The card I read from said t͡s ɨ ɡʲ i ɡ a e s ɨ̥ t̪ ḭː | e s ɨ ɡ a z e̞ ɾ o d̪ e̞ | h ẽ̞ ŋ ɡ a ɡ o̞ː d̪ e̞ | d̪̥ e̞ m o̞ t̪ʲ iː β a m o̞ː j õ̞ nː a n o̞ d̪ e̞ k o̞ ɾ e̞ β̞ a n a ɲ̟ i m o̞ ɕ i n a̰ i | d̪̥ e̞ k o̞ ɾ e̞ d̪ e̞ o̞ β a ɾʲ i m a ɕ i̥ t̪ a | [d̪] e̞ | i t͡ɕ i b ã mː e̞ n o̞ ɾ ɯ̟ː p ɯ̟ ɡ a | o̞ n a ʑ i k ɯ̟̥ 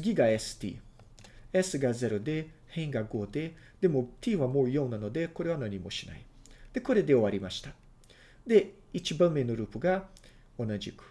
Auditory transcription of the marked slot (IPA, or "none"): d̪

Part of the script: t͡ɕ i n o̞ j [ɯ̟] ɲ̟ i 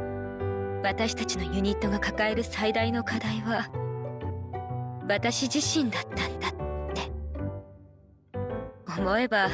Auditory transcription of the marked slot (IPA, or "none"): ɯ̟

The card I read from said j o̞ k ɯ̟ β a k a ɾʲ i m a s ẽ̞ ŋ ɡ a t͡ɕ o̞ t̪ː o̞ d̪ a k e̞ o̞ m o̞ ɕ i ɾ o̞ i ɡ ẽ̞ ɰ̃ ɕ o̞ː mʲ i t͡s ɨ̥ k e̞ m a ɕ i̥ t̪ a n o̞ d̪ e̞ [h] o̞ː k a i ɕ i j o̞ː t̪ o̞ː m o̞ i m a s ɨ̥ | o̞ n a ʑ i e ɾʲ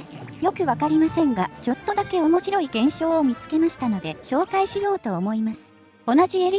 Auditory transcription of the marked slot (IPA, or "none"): ɕ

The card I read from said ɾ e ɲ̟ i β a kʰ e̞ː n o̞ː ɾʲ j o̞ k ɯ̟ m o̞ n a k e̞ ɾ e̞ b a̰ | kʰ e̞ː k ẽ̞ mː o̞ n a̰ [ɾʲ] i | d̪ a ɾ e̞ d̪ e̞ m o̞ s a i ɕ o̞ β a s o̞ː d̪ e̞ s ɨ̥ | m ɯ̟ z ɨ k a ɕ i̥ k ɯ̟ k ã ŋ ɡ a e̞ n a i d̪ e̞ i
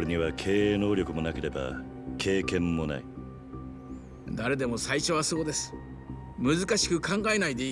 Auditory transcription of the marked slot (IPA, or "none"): none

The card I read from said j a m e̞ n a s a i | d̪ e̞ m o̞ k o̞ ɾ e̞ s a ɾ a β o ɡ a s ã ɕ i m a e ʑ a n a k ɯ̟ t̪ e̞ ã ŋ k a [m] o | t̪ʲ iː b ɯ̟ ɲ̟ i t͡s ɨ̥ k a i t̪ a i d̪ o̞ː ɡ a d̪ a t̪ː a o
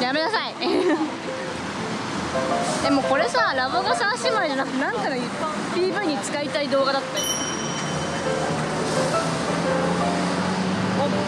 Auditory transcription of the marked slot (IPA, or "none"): n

